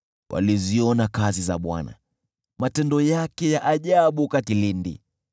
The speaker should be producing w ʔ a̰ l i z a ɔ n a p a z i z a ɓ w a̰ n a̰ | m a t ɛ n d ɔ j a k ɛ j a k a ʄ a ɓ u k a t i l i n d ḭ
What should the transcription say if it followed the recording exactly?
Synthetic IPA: w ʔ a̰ l i z i ɔ n a k a z i z a ɓ w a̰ n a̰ | m a t ɛ n d ɔ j a k ɛ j a ʔ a ʄ a ɓ u k a t i l i n d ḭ

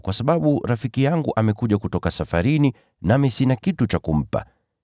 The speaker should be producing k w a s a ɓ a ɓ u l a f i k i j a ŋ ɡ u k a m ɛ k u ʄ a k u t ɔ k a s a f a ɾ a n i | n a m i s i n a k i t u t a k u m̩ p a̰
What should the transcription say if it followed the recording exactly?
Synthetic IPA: k w a s a ɓ a ɓ u ɾ a f i k i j a ŋ ɡ u ʔ a m ɛ k u ʄ a k u t ɔ k a s a f a ɾ i n i | n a m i s i n a k i t u t͡ʃ a k u m̩ p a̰

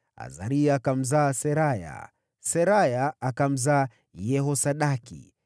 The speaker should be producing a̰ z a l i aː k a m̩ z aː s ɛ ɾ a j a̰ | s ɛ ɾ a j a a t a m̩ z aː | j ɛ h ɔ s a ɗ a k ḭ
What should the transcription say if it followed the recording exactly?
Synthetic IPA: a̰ z a ɾ i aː k a m̩ z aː s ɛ ɾ a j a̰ | s ɛ ɾ a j a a k a m̩ z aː | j ɛ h ɔ s a ɗ a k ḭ

